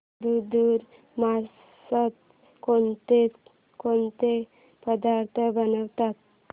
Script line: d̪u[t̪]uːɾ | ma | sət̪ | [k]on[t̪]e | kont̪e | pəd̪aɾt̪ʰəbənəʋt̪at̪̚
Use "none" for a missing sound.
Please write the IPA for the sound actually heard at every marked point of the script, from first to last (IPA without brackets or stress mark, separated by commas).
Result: d̪, k, t̪